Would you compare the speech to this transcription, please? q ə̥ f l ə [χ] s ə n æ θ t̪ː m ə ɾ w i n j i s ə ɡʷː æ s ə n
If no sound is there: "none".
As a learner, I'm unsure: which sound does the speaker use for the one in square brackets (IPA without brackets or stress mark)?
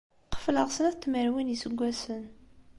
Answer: ʁ